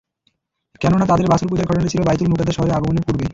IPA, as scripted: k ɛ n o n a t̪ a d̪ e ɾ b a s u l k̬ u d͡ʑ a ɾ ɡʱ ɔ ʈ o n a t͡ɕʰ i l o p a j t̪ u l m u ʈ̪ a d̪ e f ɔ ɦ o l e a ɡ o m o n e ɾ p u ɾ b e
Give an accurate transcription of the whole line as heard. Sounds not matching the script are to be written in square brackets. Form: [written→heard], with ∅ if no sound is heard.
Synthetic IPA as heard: k ɛ n o n a t̪ a d̪ e ɾ b a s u l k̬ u d͡ʑ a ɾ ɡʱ ɔ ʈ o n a t͡ɕʰ i l o [p→b] a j t̪ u l m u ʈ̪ a d̪ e [f→ʃ] ɔ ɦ o [l→ɾ] e a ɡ o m o n e ɾ p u ɾ b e